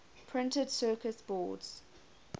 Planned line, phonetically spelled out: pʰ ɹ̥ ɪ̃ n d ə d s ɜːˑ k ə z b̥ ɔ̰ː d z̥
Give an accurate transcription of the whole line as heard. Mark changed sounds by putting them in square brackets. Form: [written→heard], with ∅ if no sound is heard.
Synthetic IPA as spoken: pʰ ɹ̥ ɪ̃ n [d→t] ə d s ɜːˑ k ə [z→s] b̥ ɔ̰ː d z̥